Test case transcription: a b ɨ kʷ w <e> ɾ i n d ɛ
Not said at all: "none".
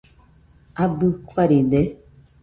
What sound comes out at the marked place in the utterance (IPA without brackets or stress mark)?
a